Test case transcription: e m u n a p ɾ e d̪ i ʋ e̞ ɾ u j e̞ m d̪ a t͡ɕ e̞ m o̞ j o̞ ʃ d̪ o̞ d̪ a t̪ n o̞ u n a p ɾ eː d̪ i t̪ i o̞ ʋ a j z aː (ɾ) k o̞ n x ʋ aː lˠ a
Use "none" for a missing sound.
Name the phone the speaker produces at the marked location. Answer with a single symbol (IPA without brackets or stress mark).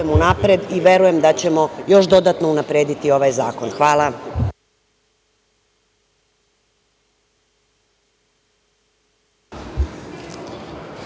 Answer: none